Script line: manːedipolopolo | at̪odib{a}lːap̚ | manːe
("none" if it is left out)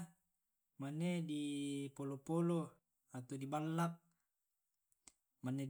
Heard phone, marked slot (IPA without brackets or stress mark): a